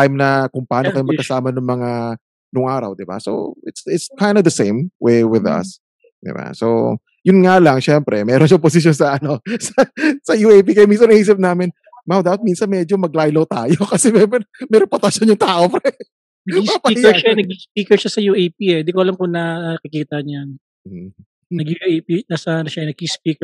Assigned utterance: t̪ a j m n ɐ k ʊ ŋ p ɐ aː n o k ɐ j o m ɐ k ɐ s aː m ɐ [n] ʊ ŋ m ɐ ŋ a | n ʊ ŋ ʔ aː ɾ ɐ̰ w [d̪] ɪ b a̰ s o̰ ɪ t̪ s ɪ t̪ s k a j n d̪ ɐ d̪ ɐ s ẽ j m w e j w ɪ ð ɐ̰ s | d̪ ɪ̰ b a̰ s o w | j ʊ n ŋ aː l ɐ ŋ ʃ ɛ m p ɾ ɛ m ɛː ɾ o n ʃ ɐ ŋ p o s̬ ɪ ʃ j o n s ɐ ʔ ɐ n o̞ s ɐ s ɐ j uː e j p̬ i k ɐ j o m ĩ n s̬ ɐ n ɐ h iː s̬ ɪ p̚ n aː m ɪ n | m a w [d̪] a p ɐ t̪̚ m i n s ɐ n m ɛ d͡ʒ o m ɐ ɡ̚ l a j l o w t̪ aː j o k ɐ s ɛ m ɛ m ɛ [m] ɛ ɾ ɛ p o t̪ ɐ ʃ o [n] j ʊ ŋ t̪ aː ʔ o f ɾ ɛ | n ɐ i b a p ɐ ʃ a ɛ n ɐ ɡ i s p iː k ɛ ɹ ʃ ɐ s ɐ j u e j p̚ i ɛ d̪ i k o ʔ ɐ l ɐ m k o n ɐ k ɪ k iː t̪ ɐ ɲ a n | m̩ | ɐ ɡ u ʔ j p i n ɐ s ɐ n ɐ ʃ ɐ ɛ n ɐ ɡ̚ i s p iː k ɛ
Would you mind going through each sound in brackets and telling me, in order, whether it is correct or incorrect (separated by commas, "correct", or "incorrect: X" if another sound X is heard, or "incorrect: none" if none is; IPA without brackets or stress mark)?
correct, correct, correct, correct, correct